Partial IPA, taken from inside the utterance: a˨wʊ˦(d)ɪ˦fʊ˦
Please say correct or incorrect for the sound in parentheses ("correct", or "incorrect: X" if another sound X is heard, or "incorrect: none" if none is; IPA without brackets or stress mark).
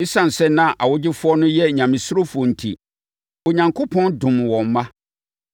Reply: incorrect: d͡ʑ